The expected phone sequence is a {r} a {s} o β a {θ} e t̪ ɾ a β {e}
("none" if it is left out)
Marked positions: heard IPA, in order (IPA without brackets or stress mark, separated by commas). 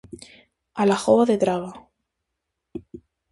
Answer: l, x, ð, a